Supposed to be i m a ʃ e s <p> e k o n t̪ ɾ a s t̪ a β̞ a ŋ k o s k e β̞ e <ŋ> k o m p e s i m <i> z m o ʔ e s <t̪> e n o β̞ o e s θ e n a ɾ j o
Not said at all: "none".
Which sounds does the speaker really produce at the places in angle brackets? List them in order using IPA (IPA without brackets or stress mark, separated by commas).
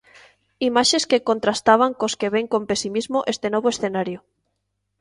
k, ŋ, i, t̪